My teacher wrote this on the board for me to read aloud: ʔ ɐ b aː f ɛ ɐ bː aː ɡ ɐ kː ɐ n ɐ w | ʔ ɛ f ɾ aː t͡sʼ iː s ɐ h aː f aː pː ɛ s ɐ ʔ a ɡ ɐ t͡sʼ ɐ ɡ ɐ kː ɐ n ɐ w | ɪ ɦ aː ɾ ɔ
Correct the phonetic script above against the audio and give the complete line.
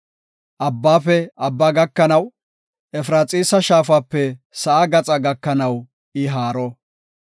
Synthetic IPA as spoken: ʔ ɐ bː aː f ɛ ɐ bː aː ɡ ɐ kː ɐ n ɐ w | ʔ ɛ f ɾ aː t͡sʼ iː s ɐ ʃ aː f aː pː ɛ s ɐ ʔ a ɡ ɐ t͡sʼ ɐ ɡ ɐ kː ɐ n ɐ w | ɪ ɦ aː ɾ ɔ